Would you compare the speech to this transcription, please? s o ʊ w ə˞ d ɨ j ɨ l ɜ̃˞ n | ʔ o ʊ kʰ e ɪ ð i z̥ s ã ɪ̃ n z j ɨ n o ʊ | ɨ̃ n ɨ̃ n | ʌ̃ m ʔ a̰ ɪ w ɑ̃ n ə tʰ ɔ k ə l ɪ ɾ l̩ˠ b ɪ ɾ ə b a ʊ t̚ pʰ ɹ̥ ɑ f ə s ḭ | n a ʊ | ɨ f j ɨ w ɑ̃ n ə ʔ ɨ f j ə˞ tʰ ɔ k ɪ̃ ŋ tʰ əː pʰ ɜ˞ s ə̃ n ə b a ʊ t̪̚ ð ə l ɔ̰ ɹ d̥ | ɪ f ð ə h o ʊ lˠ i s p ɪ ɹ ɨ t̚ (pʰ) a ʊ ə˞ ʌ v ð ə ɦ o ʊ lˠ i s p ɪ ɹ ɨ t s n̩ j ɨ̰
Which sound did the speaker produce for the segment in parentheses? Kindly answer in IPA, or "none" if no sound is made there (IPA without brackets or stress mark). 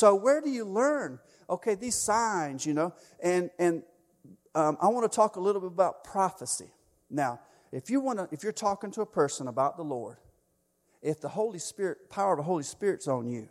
pʰ